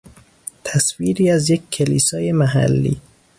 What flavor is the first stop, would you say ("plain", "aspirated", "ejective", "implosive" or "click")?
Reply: aspirated